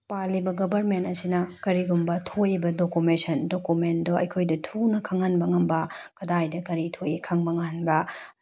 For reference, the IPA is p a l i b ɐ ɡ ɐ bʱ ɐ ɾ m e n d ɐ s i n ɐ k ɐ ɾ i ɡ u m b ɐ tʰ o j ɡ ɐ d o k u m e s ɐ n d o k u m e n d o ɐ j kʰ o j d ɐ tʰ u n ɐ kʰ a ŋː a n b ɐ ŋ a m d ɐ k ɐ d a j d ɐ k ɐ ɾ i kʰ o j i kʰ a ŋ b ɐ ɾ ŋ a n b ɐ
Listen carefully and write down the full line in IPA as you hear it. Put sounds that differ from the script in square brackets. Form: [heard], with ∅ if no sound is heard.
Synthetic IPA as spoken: p a l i b ɐ ɡ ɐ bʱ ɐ ɾ m e n [t] ɐ s i n ɐ k ɐ ɾ i ɡ u m b ɐ tʰ o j [b] ɐ d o k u m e s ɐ n d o k u m e n d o ɐ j kʰ o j d ɐ tʰ u n ɐ kʰ a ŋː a n b ɐ ŋ [ɐ] m [b] ɐ k ɐ d a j d ɐ k ɐ ɾ i [tʰ] o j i kʰ a ŋ b ɐ [∅] ŋ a n b ɐ

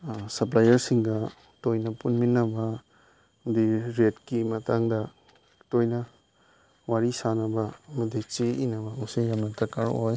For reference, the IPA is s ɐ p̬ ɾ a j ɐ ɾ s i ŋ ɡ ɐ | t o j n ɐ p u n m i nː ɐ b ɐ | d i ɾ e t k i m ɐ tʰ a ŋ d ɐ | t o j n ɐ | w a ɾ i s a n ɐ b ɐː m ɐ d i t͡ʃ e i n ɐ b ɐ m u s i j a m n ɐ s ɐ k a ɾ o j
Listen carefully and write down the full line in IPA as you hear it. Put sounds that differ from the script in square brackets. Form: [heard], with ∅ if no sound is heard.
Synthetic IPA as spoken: s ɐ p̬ [l] a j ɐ ɾ s i ŋ ɡ ɐ | t o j n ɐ p u n m i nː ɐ b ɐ | d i ɾ e t k i m ɐ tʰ a ŋ d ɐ | t o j n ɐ | w a ɾ i s a n ɐ b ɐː m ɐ d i t͡ʃ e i n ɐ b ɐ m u s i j a m n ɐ [t] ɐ k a ɾ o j

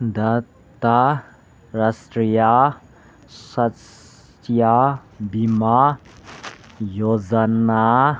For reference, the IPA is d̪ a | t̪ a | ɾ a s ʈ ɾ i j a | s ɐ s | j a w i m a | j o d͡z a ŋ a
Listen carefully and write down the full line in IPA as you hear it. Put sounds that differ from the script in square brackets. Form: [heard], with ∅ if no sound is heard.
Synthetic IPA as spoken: d̪ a | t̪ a | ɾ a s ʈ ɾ i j a | s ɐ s | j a [b] i m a | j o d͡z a [n] a

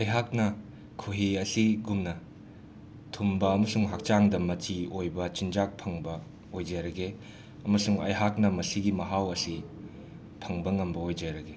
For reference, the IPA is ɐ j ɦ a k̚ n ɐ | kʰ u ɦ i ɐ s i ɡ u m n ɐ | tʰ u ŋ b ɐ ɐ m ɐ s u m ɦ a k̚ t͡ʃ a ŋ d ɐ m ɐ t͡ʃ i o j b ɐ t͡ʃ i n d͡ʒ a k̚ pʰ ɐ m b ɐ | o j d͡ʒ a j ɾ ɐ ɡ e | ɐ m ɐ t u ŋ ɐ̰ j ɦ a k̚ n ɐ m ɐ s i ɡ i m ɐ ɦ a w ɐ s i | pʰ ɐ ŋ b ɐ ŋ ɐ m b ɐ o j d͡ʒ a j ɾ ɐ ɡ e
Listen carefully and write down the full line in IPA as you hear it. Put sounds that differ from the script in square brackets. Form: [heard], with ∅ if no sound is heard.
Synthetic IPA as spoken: ɐ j ɦ a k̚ n ɐ | kʰ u ɦ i ɐ s i ɡ u m n ɐ | tʰ u [m] b ɐ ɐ m ɐ s u [ŋ] ɦ a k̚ t͡ʃ a ŋ d ɐ m ɐ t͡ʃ i o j b ɐ t͡ʃ i n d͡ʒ a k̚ pʰ ɐ [ŋ] b ɐ | o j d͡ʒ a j ɾ ɐ ɡ e | ɐ m ɐ [s] u ŋ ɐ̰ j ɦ a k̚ n ɐ m ɐ s i ɡ i m ɐ ɦ a w ɐ s i | pʰ ɐ ŋ b ɐ ŋ ɐ m b ɐ o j d͡ʒ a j ɾ ɐ ɡ e

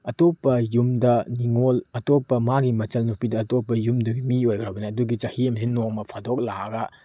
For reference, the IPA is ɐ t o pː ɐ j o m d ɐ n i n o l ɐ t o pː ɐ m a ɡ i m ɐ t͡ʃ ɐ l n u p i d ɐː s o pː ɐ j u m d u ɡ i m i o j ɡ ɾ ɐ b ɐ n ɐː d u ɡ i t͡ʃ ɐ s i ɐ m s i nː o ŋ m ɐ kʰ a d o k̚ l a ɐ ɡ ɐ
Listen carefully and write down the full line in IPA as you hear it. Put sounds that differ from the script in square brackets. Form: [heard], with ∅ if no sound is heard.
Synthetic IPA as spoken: ɐ t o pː ɐ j [u] m d ɐ n i [ŋ] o l ɐ t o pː ɐ m a ɡ i m ɐ t͡ʃ ɐ l n u p i d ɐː [t] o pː ɐ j u m d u ɡ i m i o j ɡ ɾ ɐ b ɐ n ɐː d u ɡ i t͡ʃ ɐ [h] i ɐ m s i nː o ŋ m ɐ [pʰ] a d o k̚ l a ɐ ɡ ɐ

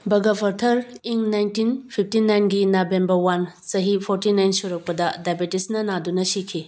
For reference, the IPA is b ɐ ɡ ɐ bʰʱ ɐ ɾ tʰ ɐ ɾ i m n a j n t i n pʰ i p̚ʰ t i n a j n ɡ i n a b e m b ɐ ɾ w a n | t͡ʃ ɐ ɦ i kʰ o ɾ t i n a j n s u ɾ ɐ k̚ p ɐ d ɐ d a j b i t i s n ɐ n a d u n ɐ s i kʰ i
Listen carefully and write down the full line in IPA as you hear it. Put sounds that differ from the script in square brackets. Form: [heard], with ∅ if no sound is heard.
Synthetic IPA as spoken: b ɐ ɡ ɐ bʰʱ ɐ ɾ tʰ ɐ ɾ i [ŋ] n a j n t i n pʰ i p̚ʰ t i n a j n ɡ i n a b e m b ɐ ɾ w a n | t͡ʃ ɐ ɦ i [pʰ] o ɾ t i n a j n s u ɾ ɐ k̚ p ɐ d ɐ d a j b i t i s n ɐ n a d u n ɐ s i kʰ i

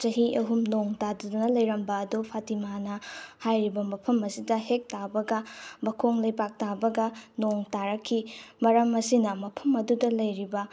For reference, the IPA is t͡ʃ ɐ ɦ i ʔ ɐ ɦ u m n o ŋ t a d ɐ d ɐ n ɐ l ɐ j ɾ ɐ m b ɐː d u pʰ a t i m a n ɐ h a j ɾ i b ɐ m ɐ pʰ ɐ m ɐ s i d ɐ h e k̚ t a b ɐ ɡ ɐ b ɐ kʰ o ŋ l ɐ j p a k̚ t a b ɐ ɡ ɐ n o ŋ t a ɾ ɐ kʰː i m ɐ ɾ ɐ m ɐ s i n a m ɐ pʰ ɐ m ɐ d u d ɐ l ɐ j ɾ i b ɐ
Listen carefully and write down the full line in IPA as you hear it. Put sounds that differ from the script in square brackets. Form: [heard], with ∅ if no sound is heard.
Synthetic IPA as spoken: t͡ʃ ɐ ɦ i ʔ ɐ ɦ u m n o ŋ t a d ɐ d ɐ n ɐ l ɐ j ɾ ɐ m b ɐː d u pʰ a t i m a n ɐ h a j ɾ i b ɐ m ɐ pʰ ɐ m ɐ s i d ɐ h e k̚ t a b ɐ ɡ ɐ b ɐ kʰ o ŋ l ɐ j p a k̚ t a b ɐ ɡ ɐ n o ŋ t a ɾ ɐ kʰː i m ɐ ɾ ɐ m ɐ s i n [ɐ] m ɐ pʰ ɐ m ɐ d u d ɐ l ɐ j ɾ i b ɐ

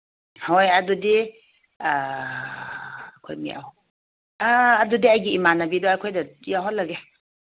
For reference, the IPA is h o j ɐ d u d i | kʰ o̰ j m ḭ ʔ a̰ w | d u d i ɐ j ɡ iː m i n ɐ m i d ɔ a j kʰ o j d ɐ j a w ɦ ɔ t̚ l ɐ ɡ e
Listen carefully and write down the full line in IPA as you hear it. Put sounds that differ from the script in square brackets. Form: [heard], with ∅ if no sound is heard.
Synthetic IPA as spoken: h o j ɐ d u d i | kʰ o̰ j m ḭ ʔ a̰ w | d u d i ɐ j ɡ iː m [a] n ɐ [b] i d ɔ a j kʰ o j d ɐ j a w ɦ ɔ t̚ l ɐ ɡ e

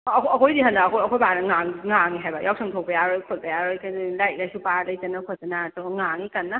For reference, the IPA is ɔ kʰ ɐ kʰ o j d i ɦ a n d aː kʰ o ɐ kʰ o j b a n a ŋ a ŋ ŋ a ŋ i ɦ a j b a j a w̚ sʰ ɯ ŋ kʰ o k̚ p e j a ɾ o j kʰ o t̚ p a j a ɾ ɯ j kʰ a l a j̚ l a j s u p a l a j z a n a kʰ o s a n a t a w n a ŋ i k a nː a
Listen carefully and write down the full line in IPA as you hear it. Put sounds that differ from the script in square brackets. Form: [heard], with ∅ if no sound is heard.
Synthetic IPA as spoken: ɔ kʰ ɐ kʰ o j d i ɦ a n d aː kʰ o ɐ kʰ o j b a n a ŋ a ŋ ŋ a ŋ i ɦ a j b a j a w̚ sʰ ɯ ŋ [tʰ] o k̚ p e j a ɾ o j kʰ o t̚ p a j a ɾ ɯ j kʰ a l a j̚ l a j s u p a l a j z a n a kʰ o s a n a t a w [ŋ] a ŋ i k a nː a

